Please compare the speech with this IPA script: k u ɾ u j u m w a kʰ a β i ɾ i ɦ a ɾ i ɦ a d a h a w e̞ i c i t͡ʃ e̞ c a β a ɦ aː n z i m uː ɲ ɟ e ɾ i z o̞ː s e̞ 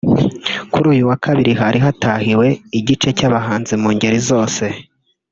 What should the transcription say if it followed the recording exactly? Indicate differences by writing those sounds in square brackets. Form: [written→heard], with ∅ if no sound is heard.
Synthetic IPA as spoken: k u ɾ [u→uː] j u [m→∅] w a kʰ a β i ɾ i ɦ a ɾ i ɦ a [d→t] a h [a→i] w e̞ i [c→ɟ] i t͡ʃ e̞ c a β a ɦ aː n z i m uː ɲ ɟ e ɾ i z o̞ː s e̞